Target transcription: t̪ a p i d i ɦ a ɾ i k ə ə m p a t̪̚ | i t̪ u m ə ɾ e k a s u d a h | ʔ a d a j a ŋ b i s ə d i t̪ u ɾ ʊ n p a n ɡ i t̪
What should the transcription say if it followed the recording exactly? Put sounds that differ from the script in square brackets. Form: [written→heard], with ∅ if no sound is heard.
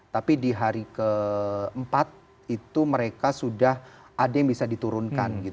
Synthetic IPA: t̪ a p i d i ɦ a ɾ i k ə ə m p a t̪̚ | i t̪ u m ə ɾ e k a s u d a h | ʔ a d a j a ŋ b i s [ə→a] d i t̪ u ɾ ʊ n [p→k] a n ɡ i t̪